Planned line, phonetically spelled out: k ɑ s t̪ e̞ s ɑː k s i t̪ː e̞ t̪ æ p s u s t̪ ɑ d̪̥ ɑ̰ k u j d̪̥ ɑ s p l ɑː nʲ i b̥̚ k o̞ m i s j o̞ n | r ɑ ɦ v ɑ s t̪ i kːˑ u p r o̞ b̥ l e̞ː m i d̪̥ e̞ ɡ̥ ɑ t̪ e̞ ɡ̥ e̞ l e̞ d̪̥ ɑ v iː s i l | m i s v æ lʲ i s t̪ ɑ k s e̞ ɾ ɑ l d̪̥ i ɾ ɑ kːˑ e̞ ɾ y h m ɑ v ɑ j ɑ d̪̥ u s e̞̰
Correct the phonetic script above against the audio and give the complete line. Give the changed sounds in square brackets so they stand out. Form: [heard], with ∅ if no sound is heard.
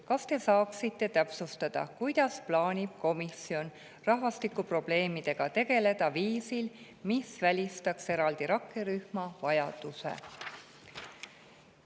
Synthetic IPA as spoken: k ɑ s t̪ e̞ s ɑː k s i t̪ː e̞ t̪ æ p s u s t̪ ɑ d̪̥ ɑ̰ k u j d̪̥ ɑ s p l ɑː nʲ i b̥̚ k o̞ m i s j o̞ n | r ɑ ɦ v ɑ s t̪ i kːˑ u p r o̞ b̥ l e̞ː m i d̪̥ e̞ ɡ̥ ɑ t̪ e̞ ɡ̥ e̞ l e̞ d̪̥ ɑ v iː s i l | m i s v æ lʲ i s t̪ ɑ k s e̞ ɾ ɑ l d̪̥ i ɾ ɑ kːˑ e̞ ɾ y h m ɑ v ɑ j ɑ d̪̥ u s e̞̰